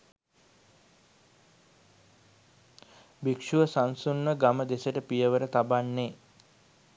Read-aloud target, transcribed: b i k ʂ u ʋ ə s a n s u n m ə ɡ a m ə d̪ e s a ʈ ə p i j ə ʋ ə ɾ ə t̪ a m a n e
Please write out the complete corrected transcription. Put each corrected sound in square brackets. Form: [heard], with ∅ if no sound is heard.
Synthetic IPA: b i k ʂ u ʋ ə s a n s u n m ə ɡ a m ə d̪ e s [ə] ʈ ə p i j ə ʋ ə ɾ ə t̪ a [b] a [nː] e